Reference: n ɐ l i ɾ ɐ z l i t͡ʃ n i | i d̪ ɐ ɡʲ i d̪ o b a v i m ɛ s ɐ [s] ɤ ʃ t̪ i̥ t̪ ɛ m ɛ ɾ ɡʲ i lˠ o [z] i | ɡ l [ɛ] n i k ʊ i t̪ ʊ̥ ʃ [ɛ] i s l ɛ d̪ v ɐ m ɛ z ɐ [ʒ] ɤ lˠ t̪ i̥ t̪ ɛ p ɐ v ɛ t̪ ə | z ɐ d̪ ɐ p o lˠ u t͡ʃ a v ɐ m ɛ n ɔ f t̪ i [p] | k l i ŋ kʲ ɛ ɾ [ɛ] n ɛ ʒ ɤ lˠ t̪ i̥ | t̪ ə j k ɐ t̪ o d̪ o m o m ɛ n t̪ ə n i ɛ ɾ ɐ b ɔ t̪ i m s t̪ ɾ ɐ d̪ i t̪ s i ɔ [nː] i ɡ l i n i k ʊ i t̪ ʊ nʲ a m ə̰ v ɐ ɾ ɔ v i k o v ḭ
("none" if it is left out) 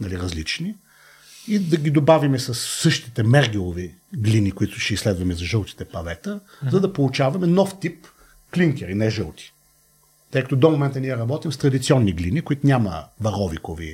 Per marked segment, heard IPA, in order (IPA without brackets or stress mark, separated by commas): sː, v, i, ɛ, ʒ, p, i, nː